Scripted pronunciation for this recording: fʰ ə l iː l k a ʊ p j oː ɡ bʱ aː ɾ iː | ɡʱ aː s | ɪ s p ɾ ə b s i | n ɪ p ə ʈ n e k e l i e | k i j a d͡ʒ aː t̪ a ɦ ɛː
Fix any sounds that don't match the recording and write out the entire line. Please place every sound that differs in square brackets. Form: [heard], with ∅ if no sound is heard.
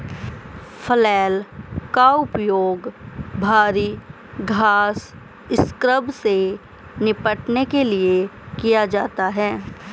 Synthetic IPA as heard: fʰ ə l [ɛː] l k a ʊ p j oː ɡ bʱ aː ɾ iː | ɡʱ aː s | ɪ s [k] ɾ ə b s [e] | n ɪ p ə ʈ n e k e l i e | k i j a d͡ʒ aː t̪ a ɦ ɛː